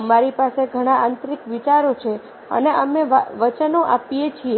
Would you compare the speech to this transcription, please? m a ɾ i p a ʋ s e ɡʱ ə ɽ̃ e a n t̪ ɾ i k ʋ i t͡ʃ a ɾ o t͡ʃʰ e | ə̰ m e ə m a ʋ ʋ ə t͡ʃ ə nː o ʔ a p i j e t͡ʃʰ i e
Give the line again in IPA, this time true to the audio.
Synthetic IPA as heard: m a ɾ i p a s e ɡʱ ə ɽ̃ a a n t̪ ɾ i k ʋ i t͡ʃ a ɾ o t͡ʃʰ e | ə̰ n e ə m e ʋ ʋ ə t͡ʃ ə n o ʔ a p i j e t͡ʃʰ i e